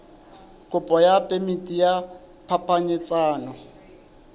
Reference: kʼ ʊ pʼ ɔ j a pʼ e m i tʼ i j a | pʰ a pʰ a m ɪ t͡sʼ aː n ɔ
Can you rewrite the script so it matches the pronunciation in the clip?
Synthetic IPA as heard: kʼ ʊ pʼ ɔ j a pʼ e m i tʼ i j a | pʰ a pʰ a ɲ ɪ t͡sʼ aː n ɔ